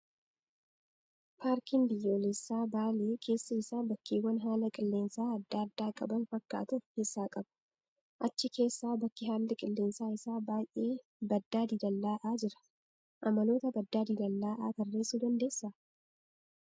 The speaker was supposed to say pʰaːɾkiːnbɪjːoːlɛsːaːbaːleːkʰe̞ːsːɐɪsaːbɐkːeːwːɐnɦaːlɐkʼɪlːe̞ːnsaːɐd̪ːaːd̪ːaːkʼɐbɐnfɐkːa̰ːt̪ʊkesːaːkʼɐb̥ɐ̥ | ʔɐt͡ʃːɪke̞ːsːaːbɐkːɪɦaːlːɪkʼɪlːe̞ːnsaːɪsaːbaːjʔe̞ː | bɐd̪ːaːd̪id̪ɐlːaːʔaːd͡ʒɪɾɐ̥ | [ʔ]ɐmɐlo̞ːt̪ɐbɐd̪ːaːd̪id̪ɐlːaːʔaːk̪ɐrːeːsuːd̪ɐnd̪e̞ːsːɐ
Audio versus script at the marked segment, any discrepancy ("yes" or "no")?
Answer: no